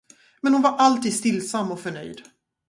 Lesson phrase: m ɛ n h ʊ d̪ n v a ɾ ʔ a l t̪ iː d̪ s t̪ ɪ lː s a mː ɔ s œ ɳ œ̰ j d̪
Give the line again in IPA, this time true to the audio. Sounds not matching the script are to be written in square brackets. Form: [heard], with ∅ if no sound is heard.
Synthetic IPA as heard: m ɛ n h ʊ [∅] n v a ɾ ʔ a l t̪ iː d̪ s t̪ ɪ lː s a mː ɔ [f] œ ɳ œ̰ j d̪